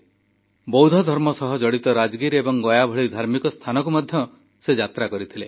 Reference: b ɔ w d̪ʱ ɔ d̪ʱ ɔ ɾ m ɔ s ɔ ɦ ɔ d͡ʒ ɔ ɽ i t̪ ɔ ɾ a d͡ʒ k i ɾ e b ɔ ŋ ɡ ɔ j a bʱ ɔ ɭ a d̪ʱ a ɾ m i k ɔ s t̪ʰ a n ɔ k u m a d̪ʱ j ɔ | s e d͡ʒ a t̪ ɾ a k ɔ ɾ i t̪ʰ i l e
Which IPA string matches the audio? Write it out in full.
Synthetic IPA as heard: b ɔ w d̪ʱ ɔ d̪ʱ ɔ ɾ m ɔ s ɔ ɦ ɔ d͡ʒ ɔ ɽ i t̪ ɔ ɾ a d͡ʒ ɡ i ɾ e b ɔ ŋ ɡ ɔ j a bʱ ɔ ɭ i d̪ʱ a ɾ m i k ɔ s t̪ʰ a n ɔ k u m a d̪ʱ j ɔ | s e d͡ʒ a t̪ ɾ a k ɔ ɾ i t̪ʰ i l e